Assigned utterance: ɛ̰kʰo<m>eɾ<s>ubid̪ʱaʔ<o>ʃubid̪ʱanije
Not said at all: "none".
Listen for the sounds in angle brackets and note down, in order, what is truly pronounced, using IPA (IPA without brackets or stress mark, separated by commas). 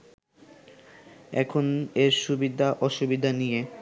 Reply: n, ʃ, ɔ